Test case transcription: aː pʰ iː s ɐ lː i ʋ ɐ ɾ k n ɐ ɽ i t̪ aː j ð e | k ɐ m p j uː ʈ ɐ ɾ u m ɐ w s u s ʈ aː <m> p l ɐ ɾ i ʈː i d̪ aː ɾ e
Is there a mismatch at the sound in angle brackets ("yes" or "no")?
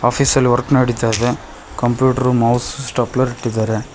yes